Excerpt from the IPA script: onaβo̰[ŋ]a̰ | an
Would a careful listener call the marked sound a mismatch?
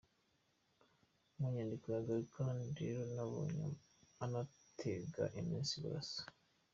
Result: yes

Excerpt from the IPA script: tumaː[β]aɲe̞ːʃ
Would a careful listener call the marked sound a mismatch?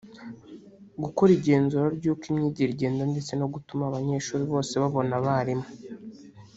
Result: no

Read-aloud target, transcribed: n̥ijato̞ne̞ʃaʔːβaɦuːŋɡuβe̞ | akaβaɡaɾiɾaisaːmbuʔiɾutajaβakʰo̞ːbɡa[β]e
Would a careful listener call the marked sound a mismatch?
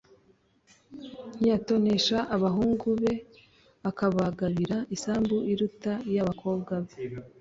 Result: no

